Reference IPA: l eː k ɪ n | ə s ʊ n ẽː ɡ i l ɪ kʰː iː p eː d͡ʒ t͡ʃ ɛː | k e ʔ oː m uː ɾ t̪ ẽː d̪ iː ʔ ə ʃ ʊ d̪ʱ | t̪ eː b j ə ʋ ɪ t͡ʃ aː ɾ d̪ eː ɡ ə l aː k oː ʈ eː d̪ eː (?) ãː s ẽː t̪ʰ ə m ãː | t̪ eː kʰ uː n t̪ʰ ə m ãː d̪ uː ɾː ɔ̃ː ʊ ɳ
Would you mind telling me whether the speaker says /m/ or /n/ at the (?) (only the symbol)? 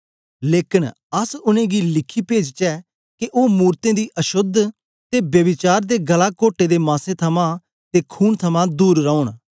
m